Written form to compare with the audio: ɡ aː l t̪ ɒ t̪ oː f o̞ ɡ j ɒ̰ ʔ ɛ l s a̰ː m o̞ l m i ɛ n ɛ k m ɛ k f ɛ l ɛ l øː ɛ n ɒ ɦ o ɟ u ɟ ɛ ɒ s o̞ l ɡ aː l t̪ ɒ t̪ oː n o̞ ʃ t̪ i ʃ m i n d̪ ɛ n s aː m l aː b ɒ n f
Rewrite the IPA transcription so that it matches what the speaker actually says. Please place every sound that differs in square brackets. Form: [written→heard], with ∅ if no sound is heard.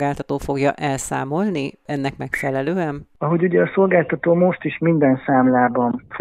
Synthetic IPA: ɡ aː l t̪ ɒ t̪ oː f o̞ ɡ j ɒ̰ ʔ ɛ l s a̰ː m o̞ l [m→n] i ɛ [n→nː] ɛ k m ɛ k f ɛ l ɛ l øː ɛ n ɒ ɦ o ɟ u ɟ ɛ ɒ s o̞ l ɡ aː l t̪ ɒ t̪ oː [n→m] o̞ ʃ t̪ i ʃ m i n d̪ ɛ n s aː m l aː b ɒ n f